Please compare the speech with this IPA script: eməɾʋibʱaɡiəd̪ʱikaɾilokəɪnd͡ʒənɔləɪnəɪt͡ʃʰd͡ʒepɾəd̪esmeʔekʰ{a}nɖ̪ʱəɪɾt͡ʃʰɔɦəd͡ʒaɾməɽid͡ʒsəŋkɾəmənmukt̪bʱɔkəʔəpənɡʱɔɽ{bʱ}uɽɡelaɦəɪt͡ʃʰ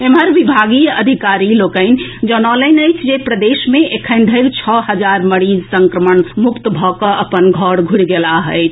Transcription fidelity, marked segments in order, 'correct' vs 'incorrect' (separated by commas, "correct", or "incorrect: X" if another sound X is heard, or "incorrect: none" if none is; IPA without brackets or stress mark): incorrect: ə, incorrect: ɡʱ